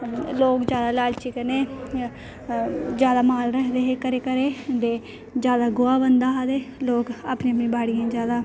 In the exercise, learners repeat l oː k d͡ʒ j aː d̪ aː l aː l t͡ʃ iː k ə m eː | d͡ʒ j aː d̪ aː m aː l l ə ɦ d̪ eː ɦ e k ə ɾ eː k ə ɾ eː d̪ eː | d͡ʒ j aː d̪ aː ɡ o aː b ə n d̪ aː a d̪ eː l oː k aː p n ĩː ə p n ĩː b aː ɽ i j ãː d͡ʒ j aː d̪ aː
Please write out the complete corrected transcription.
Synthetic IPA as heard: l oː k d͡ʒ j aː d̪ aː l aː l t͡ʃ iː k ə n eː | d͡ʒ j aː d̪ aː m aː l ɾ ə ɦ d̪ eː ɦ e k ə ɾ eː k ə ɾ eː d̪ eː | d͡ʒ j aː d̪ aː ɡ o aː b ə n d̪ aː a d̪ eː l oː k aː p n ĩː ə p n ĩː b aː ɽ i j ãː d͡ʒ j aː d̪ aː